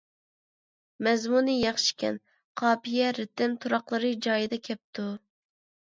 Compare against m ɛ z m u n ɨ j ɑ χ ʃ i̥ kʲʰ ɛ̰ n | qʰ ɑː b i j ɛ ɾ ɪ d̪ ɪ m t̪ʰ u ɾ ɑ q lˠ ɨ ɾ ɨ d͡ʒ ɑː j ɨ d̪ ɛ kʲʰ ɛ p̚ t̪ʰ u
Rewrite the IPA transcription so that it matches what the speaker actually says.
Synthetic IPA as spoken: m ɛ z m u n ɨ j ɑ χ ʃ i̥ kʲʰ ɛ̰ n | qʰ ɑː p i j ɛ ɾ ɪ t̪ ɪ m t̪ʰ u ɾ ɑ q lˠ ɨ ɾ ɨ d͡ʒ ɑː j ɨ d̪ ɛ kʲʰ ɛ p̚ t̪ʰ u